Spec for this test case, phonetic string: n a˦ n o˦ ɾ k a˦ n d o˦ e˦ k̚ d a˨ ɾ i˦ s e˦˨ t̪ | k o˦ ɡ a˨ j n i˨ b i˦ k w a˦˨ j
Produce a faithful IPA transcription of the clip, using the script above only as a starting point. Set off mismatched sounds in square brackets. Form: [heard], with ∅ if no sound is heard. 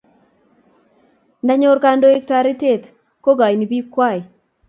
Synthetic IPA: n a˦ [ɲ] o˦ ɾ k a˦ n d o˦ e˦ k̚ [t] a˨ ɾ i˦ [t] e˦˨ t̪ | k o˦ ɡ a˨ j n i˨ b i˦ k w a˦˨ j